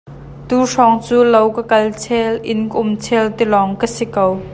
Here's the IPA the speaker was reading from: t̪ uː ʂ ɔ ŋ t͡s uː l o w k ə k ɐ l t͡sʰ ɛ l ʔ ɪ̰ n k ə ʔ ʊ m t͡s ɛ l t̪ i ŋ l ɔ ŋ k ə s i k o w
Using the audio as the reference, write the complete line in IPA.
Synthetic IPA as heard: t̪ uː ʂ ɔ ŋ t͡s uː l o w k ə k ɐ l t͡sʰ ɛ l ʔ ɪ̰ n k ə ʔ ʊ m t͡sʰ ɛ l t̪ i l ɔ ŋ k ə s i k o w